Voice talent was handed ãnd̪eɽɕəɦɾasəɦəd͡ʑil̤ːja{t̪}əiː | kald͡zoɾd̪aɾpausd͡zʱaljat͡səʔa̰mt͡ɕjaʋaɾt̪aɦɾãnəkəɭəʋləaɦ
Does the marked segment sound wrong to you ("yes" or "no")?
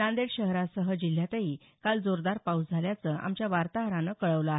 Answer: no